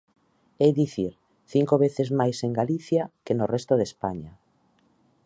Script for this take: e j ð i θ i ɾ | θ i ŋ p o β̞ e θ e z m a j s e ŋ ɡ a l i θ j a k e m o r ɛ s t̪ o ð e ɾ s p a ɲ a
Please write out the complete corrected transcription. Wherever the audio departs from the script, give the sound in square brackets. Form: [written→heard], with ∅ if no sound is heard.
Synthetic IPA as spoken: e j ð i θ i ɾ | θ i ŋ [p→k] o β̞ e θ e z m a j s e ŋ ɡ a l i θ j a k e [m→n] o r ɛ s t̪ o ð e [ɾ→∅] s p a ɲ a